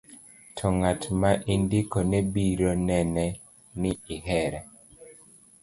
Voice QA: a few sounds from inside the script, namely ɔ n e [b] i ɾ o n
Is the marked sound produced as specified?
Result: yes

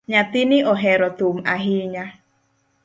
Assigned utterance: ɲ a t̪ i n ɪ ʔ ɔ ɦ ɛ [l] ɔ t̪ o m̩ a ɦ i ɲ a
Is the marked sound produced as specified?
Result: no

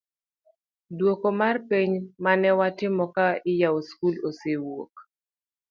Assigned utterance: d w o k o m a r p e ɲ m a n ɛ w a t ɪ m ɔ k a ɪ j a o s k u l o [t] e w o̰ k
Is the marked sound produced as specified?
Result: no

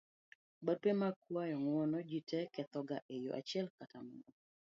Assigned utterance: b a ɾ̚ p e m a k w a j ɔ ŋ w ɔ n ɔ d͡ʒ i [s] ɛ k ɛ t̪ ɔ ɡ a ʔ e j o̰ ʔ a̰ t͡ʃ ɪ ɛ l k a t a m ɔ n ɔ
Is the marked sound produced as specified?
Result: no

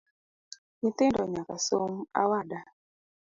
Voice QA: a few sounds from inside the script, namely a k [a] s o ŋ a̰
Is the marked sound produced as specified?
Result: yes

